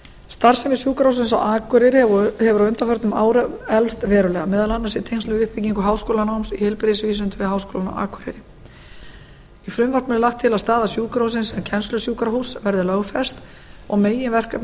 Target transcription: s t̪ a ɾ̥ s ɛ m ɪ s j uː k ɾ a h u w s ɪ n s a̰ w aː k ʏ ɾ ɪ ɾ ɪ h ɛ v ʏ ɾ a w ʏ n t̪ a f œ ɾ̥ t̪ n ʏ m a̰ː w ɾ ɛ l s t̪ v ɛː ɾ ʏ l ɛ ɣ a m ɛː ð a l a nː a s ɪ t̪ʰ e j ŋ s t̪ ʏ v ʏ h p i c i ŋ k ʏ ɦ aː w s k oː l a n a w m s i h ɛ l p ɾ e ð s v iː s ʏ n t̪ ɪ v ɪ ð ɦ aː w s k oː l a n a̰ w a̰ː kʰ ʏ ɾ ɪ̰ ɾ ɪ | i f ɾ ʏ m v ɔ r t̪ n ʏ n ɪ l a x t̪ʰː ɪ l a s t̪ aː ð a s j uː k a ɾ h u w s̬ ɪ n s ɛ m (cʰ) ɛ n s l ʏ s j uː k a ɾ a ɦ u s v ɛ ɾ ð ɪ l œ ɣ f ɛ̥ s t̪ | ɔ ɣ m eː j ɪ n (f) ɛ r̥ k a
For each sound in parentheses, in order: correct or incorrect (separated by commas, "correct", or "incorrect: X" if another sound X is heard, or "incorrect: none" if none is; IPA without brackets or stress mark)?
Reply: correct, incorrect: v